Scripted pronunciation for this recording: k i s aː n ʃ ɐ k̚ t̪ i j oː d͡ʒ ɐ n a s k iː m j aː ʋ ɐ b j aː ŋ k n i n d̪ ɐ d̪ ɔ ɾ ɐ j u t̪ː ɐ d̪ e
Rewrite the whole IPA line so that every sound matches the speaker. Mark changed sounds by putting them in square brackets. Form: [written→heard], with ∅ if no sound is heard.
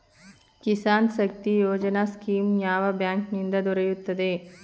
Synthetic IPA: k i s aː n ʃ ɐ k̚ t̪ i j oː d͡ʒ ɐ n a s k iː m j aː ʋ ɐ b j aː ŋ k n i n d̪ ɐ d̪ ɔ ɾ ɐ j u t̪ː ɐ d̪ e